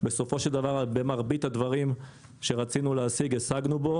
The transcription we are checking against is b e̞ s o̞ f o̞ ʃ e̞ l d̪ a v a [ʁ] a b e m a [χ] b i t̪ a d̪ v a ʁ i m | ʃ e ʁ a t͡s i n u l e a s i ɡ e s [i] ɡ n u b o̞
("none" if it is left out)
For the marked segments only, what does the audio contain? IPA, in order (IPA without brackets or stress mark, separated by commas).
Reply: ʁ, ʁ, a